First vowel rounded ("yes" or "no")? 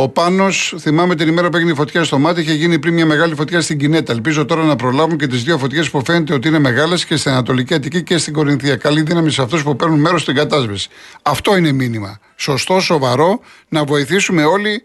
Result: yes